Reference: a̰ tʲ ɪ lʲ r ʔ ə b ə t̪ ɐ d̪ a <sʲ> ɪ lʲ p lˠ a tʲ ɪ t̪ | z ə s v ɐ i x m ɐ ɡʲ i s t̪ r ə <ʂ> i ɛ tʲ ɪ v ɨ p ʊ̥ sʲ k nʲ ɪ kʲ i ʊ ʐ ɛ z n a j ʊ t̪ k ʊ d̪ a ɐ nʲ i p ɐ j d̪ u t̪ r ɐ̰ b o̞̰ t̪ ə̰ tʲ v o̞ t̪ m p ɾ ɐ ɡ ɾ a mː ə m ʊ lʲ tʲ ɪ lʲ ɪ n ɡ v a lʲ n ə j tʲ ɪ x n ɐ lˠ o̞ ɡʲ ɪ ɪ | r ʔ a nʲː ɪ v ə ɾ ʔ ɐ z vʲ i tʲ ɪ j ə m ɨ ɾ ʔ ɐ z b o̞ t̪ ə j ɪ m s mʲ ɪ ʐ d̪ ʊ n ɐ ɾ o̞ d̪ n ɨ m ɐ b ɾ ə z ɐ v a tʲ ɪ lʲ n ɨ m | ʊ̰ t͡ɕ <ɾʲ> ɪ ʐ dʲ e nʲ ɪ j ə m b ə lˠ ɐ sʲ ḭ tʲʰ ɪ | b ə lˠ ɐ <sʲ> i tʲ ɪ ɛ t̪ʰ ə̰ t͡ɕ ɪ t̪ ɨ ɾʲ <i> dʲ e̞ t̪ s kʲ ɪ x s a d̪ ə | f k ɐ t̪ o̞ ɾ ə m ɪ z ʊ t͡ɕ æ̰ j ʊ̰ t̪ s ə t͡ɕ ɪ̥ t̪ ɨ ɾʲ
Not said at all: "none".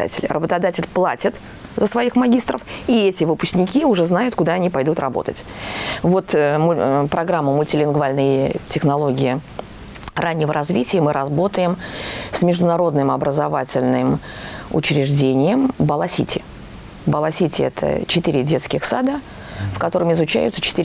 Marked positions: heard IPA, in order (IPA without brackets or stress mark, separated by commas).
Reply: tʲ, f, ɾʲ, sʲ, ɪ